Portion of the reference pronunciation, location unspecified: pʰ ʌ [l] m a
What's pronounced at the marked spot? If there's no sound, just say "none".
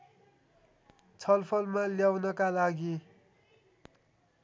l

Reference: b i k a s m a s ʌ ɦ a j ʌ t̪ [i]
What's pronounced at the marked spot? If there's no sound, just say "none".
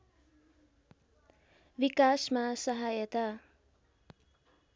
a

